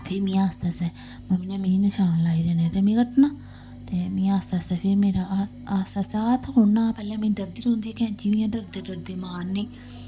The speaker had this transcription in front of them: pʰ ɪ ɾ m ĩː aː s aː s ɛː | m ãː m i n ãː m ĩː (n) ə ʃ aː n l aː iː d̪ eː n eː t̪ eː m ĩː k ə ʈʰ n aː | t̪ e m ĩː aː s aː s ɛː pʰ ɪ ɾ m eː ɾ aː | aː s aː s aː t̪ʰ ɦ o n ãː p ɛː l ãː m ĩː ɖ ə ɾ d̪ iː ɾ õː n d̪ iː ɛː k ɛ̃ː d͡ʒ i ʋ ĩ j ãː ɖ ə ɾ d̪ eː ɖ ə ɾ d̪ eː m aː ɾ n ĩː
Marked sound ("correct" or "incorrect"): correct